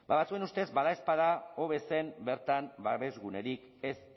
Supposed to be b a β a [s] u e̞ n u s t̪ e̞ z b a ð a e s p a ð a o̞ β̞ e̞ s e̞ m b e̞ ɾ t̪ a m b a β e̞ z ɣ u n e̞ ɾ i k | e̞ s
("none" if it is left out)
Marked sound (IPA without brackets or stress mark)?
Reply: t͡s